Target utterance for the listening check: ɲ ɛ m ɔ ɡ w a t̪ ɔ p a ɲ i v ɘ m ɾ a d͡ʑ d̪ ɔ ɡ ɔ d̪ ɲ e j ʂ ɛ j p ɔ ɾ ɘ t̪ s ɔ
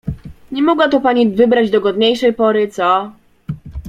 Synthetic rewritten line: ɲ ɛ m ɔ ɡ w a t̪ ɔ p a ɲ i v ɘ b ɾ a d͡ʑ d̪ ɔ ɡ ɔ d̪ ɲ e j ʂ ɛ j p ɔ ɾ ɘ t̪ s ɔ